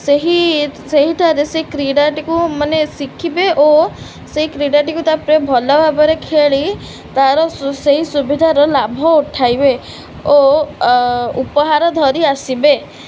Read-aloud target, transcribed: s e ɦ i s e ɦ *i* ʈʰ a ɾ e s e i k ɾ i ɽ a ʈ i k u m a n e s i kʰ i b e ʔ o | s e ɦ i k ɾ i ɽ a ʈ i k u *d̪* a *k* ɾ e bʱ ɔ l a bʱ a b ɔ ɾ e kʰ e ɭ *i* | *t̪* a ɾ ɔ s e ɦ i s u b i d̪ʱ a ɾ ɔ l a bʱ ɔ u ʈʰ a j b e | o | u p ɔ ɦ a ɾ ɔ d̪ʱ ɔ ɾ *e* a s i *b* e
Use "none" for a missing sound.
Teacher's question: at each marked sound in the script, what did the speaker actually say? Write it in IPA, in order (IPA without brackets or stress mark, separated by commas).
i, t̪, p, i, t̪, i, b